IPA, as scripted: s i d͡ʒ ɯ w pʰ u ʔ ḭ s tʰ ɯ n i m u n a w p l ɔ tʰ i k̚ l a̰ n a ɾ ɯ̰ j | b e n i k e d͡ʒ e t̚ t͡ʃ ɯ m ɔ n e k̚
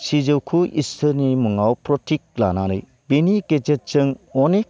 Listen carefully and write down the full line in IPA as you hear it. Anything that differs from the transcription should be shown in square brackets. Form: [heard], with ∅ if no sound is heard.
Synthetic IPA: s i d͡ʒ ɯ w [kʰ] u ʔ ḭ s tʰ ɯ n i m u [ŋ] a w p [ɾ] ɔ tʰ i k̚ l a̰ n a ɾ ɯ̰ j | b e n i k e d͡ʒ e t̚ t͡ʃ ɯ [ŋ] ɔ n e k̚